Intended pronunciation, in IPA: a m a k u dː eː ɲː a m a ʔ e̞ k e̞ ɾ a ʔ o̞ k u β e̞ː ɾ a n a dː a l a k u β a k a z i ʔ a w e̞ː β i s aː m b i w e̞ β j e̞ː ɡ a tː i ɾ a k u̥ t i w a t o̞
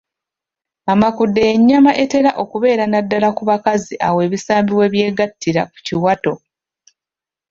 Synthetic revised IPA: a m a k u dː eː ɲː a m a ʔ e̞ t e̞ ɾ a ʔ o̞ k u β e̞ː ɾ a n a dː a l a k u β a k a z i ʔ a w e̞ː β i s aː m b i w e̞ β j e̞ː ɡ a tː i ɾ a k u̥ c i w a t o̞